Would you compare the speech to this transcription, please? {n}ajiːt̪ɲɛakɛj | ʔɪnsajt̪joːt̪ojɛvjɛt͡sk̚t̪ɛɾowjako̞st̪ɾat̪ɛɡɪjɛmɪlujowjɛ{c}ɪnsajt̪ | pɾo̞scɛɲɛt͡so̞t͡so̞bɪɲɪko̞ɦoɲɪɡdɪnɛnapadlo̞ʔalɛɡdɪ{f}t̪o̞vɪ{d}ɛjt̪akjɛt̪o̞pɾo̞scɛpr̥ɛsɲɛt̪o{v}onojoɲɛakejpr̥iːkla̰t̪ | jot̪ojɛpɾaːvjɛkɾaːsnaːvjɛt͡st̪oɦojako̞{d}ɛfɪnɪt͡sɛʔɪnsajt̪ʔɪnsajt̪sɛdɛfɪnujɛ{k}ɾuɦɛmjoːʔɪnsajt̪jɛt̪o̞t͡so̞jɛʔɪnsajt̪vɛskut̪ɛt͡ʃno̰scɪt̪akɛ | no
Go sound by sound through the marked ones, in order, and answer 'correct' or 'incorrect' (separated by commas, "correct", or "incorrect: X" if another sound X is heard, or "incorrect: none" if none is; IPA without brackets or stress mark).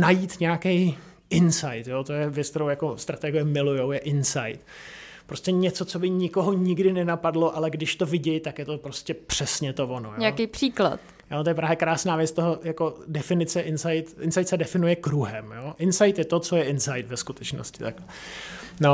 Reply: correct, incorrect: ʔ, incorrect: ʃ, incorrect: ɟ, correct, correct, correct